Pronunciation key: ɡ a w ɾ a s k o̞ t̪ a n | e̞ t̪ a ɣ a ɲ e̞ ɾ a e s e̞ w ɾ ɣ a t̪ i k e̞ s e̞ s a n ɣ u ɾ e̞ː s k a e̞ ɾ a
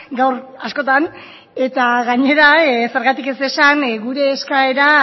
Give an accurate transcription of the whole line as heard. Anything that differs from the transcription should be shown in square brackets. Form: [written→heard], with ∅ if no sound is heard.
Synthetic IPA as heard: ɡ a w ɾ a s k o̞ t̪ a n | e̞ t̪ a ɣ a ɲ e̞ ɾ a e s e̞ [w→∅] ɾ ɣ a t̪ i k e̞ s e̞ s a n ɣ u ɾ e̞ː s k a e̞ ɾ a